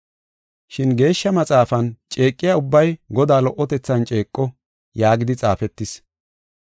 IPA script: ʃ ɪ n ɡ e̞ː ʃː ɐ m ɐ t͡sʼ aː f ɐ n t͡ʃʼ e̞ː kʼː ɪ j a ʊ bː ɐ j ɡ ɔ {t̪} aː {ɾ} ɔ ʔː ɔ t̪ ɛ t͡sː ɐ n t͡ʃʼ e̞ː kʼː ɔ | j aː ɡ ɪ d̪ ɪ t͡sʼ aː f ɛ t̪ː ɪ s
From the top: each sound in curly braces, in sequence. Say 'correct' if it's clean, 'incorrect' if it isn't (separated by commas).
incorrect, incorrect